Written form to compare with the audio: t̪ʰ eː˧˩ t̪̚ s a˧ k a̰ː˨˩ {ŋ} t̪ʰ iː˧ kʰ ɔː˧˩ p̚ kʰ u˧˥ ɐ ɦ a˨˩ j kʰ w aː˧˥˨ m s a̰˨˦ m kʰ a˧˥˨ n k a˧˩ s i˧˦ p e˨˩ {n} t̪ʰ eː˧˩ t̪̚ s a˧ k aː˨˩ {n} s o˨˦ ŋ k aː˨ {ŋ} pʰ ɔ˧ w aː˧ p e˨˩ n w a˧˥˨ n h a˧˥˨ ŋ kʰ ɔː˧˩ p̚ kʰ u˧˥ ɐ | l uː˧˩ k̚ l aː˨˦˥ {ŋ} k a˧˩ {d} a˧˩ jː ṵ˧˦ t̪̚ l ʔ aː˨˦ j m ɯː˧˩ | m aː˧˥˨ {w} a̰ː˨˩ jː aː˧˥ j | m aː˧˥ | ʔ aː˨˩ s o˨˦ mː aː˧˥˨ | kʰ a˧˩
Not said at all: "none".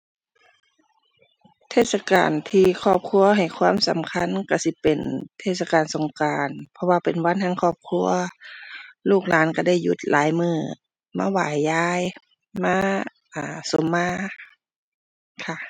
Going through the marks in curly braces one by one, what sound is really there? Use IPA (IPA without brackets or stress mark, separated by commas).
n, n, n, n, n, d, w